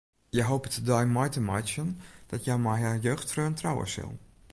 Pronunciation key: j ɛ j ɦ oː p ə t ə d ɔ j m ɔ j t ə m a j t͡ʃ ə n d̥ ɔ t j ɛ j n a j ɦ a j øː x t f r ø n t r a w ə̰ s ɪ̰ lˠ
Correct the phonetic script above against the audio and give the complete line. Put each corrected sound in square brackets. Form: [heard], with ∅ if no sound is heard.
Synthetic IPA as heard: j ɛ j ɦ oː p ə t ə d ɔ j m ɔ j t ə m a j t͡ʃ ə n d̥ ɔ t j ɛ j [m] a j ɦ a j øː x t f r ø n t r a w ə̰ s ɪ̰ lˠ